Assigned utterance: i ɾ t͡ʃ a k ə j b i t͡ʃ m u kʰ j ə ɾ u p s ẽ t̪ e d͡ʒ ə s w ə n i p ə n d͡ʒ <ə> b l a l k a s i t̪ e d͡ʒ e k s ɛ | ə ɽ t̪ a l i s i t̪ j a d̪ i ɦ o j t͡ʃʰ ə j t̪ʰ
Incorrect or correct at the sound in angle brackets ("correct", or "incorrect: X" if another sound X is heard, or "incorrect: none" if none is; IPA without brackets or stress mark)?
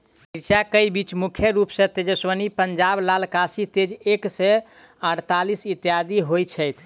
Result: incorrect: a